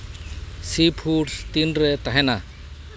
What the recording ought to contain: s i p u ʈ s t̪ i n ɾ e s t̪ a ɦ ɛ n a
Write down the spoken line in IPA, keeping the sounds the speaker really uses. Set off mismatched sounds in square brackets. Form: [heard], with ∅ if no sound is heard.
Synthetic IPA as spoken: s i [pʰ] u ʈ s t̪ i n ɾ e [∅] t̪ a ɦ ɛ n a